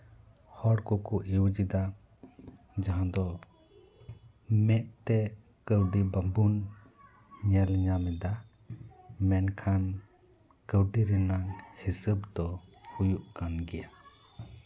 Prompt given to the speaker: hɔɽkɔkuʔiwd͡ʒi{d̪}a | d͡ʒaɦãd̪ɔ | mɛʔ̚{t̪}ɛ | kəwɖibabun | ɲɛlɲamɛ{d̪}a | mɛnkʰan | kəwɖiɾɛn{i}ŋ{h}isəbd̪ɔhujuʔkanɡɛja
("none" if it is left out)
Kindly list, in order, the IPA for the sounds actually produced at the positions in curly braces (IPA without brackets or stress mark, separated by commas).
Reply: d̪, t̪, d̪, a, h